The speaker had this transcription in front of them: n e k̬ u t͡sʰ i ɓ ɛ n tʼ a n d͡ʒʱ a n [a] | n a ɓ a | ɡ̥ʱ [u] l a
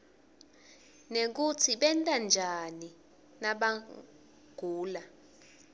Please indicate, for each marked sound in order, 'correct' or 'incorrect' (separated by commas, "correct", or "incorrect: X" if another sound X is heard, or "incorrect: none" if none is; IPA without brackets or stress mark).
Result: incorrect: i, incorrect: uː